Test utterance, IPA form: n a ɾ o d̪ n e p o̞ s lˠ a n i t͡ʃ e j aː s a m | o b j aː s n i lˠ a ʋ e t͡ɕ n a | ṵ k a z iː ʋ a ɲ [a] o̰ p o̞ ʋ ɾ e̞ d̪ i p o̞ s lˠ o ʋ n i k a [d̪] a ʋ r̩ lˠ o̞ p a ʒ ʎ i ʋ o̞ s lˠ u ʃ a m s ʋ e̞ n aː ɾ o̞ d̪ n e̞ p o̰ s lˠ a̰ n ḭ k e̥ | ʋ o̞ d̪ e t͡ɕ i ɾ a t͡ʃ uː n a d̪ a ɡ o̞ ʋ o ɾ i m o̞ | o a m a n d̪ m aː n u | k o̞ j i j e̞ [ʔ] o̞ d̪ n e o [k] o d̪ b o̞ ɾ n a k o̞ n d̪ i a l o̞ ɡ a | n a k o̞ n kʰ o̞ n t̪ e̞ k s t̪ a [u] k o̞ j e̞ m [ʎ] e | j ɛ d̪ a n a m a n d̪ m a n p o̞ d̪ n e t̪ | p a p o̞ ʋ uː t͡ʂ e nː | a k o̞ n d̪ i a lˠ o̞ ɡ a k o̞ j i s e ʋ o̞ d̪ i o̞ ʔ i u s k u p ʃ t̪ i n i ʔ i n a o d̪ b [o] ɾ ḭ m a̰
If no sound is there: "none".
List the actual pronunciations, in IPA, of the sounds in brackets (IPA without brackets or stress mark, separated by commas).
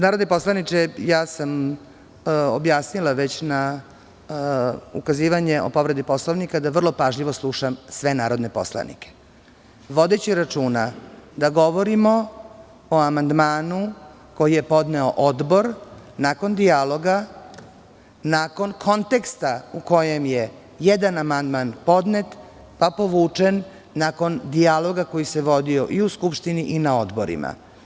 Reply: e, d̪, p, ʔ, u, j, o